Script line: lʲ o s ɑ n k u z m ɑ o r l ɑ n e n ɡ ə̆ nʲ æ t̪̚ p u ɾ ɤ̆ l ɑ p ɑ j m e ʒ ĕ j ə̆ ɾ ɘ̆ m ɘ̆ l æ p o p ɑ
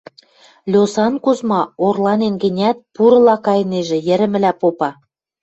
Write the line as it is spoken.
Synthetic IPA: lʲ o s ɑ n k u z m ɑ o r l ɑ n e n ɡ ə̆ nʲ æ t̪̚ p u ɾ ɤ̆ l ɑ k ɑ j n e ʒ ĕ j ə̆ ɾ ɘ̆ m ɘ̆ l æ p o p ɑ